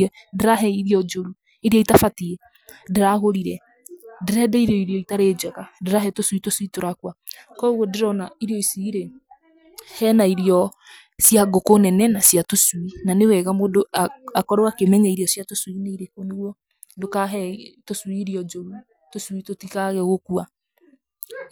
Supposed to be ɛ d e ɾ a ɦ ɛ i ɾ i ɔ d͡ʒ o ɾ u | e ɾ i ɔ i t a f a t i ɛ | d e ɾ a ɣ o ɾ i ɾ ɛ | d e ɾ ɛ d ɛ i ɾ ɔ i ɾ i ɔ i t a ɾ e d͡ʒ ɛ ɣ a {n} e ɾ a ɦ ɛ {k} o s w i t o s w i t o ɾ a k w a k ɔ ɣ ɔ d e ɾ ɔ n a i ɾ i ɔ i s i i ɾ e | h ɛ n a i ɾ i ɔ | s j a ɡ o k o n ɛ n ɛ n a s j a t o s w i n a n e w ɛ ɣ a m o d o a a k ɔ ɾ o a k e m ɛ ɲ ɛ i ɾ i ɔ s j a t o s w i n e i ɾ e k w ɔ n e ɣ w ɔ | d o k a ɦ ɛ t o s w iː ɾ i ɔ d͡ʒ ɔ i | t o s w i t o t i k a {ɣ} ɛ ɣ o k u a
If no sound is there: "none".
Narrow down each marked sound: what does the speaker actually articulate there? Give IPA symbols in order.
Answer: d, t, ɣ

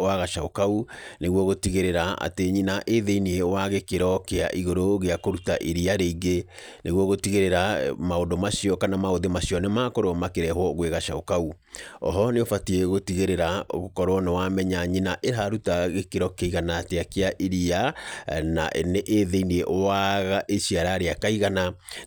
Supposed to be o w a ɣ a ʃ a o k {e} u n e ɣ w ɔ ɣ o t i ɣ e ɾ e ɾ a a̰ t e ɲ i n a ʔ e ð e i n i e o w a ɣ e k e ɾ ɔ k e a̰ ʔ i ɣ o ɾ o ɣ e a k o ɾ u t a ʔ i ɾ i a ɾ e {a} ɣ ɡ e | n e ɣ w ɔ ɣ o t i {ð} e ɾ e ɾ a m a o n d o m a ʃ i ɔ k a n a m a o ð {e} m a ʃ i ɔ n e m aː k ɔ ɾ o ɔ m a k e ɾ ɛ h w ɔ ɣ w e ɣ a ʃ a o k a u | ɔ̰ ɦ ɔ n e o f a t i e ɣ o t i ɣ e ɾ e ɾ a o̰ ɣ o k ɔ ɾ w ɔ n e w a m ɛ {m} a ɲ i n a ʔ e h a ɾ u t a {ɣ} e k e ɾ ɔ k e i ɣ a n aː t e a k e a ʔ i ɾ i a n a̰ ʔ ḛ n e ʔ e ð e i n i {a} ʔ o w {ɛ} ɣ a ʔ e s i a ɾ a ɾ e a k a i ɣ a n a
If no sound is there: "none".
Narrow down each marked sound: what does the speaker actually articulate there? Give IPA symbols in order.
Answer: a, i, ɣ, e, ɲ, ɣ, e, a

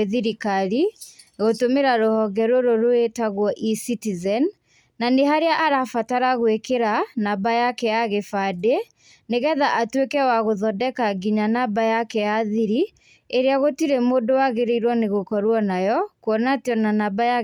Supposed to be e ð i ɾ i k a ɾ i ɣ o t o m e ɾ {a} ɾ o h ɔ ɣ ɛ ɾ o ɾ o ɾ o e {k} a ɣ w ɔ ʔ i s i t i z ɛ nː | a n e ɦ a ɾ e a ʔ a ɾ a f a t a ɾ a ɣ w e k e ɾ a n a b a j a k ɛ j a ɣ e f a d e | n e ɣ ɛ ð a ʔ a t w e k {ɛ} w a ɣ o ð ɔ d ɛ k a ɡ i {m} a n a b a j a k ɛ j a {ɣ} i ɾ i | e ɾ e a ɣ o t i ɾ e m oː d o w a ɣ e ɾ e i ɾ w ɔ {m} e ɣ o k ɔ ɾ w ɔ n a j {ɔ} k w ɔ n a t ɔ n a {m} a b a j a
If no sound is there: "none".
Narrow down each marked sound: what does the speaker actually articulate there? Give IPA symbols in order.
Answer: a, t, ɛ, ɲ, ð, n, ɔ, n

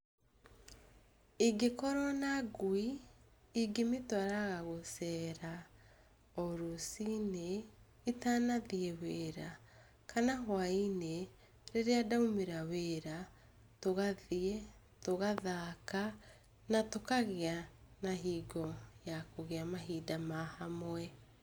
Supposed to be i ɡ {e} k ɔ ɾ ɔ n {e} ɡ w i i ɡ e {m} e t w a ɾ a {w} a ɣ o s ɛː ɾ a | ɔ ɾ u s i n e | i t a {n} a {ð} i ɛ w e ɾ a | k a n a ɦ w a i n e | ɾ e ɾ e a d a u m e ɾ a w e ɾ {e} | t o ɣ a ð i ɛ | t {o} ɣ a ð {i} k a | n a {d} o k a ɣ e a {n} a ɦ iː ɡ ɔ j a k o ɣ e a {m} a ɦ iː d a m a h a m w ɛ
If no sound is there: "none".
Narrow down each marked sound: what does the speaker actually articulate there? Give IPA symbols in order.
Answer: e, a, m, ɣ, n, ð, a, o, a, t, n, m

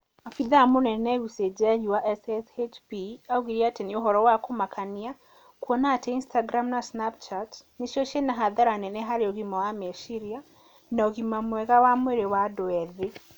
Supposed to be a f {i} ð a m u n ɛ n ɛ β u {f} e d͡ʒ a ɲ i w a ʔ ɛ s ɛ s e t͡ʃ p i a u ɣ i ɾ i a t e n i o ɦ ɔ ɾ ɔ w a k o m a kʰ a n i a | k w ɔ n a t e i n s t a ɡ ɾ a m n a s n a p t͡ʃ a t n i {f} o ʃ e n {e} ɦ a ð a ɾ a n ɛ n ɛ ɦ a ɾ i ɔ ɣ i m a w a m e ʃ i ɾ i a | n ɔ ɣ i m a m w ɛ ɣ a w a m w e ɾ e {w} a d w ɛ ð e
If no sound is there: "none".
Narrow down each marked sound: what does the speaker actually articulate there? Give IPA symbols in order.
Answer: i, s, ʃ, a, w

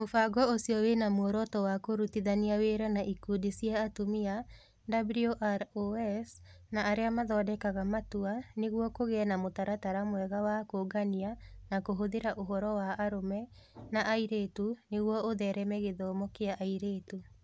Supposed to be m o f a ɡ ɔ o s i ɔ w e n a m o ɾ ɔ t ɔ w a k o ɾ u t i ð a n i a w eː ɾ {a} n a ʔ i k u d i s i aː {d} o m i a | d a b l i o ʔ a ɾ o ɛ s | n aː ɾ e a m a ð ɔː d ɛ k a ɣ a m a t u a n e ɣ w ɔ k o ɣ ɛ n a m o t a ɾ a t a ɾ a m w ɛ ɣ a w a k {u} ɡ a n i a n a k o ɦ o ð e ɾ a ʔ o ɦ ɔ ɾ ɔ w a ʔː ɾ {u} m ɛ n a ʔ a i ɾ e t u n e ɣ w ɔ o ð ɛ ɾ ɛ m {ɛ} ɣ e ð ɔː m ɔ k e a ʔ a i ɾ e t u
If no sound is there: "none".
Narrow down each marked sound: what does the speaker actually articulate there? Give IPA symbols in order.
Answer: a, t, o, o, ɛ

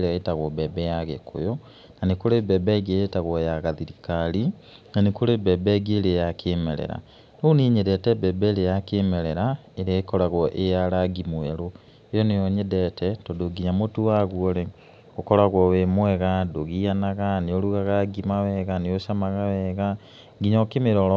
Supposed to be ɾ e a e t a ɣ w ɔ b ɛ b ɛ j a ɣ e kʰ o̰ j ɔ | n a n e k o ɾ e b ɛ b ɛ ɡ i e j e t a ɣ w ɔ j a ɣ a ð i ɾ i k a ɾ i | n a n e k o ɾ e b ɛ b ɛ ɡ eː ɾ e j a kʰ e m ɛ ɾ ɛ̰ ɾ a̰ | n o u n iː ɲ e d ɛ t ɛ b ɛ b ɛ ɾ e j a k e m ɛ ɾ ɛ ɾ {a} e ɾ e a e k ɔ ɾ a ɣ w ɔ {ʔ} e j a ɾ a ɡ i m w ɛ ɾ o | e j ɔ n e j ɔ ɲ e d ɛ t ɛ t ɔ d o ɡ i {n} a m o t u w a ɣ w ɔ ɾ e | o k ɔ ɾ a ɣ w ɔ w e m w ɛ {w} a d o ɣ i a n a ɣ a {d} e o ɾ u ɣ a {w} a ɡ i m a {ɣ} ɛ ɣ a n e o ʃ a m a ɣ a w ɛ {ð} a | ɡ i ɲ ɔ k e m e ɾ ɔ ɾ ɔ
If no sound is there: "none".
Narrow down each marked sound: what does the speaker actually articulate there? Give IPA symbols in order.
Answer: a, ʔ, ɲ, ɣ, n, ɣ, w, ɣ

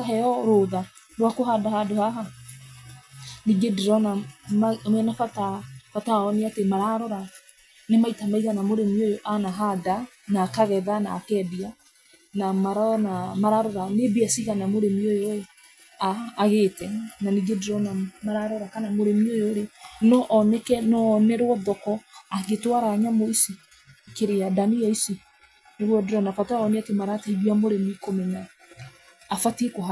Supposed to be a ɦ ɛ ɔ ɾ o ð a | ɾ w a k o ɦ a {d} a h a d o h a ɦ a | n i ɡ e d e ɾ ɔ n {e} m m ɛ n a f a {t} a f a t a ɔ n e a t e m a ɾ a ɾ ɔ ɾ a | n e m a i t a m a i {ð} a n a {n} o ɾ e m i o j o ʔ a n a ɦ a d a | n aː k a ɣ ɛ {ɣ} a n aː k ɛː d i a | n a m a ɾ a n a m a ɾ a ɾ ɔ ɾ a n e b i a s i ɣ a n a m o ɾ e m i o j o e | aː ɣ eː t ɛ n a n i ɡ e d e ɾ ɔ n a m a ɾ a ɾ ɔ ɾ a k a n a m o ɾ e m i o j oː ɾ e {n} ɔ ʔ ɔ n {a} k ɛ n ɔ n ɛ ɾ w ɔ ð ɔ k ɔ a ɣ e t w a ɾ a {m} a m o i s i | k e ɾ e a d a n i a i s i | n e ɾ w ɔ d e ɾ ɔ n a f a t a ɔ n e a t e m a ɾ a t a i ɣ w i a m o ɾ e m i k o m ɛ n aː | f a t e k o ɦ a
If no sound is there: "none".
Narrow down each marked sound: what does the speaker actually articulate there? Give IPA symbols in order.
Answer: d, a, t, ɣ, m, ð, n, ɛ, ɲ

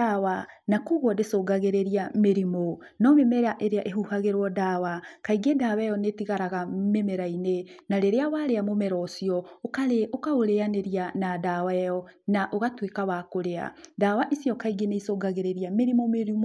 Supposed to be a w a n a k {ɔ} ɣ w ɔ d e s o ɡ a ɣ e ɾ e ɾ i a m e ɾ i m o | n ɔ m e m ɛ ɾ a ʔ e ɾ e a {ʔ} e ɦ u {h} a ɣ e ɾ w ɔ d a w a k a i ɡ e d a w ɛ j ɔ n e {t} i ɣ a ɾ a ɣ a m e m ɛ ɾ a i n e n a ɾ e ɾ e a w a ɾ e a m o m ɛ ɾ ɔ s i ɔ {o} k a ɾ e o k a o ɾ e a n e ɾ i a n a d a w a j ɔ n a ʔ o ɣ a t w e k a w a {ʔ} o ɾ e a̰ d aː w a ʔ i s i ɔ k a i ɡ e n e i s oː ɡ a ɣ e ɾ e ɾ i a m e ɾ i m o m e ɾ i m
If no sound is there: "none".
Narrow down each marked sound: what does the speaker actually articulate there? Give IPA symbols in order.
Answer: u, ʔ, h, t, o, k

